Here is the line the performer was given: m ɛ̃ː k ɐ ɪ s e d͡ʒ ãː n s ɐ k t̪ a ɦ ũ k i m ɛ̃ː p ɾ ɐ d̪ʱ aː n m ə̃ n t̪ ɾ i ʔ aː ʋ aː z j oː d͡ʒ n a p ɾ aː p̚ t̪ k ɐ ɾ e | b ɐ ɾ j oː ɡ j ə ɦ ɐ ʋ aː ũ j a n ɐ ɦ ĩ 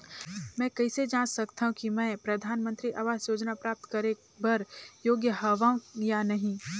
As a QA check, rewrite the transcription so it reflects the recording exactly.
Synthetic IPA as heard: m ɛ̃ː k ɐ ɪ s e d͡ʒ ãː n s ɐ k t̪ a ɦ ũ k i m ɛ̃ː p ɾ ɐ d̪ʱ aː n m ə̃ n t̪ ɾ i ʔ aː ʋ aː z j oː d͡ʒ n a p ɾ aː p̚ t̪ k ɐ ɾ e | b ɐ ɾ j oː ɡ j ə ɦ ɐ ʋ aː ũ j a n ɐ ɦ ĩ